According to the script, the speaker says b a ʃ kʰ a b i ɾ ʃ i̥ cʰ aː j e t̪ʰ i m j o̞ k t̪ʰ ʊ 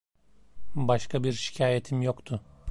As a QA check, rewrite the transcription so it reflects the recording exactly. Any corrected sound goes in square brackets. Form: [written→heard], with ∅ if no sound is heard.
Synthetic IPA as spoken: b a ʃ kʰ a b i ɾ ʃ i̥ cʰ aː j e t̪ʰ i m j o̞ k t̪ʰ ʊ